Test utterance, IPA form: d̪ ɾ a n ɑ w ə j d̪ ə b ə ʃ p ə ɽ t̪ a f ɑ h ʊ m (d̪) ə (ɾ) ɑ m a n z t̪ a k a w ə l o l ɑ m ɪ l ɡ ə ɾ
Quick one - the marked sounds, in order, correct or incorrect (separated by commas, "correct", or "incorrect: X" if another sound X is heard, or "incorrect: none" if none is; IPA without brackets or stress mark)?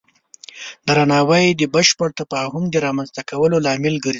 correct, correct